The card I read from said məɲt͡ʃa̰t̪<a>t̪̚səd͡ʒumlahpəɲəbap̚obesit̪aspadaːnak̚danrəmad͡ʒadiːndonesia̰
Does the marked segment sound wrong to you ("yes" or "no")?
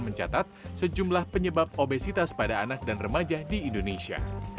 no